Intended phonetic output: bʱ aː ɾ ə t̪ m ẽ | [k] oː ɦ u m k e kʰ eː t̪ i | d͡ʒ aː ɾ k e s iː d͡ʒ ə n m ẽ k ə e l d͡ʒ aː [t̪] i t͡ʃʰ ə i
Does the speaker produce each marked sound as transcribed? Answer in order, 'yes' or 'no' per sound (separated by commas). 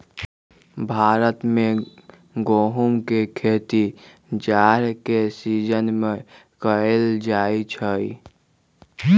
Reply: no, no